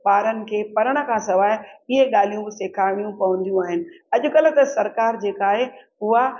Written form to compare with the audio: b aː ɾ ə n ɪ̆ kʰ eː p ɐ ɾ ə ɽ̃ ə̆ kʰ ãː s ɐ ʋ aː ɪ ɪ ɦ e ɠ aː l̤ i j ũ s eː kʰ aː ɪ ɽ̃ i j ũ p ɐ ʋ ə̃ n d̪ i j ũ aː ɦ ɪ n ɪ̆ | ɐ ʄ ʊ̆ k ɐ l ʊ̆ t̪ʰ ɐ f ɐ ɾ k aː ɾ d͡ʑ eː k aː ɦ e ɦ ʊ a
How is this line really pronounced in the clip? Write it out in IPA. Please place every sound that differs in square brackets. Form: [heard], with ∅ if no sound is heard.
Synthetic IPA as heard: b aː ɾ ə n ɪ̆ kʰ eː p ɐ ɾ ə ɽ̃ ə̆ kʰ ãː s ɐ ʋ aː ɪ ɪ ɦ e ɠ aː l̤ i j ũ s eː kʰ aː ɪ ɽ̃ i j ũ p ɐ ʋ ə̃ n d̪ i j ũ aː ɦ ɪ n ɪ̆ | ɐ ʄ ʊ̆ k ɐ l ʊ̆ [t̪] ɐ [s] ɐ ɾ k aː ɾ d͡ʑ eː k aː ɦ e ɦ ʊ a